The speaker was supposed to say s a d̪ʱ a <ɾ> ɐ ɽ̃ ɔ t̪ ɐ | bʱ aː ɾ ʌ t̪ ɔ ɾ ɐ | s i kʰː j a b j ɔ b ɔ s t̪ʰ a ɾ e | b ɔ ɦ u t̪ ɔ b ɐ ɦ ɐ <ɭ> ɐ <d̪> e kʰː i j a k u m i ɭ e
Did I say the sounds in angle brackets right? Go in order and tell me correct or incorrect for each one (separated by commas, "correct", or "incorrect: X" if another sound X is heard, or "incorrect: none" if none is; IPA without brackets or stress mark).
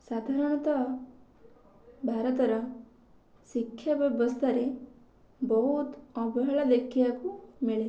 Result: correct, correct, correct